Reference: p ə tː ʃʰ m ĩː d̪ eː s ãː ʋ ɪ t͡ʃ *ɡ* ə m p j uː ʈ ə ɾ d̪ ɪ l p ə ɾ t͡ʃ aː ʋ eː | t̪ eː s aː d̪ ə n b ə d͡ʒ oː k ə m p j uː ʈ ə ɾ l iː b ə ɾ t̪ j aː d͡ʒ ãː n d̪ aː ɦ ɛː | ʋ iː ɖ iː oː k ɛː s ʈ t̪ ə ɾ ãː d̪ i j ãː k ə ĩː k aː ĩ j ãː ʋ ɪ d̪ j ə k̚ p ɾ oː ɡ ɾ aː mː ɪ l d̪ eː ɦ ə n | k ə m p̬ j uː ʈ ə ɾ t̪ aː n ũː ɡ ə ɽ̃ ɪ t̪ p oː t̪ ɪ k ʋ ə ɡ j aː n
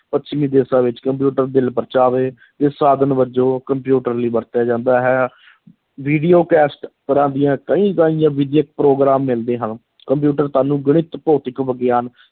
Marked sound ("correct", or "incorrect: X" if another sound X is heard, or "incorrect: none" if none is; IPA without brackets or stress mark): incorrect: k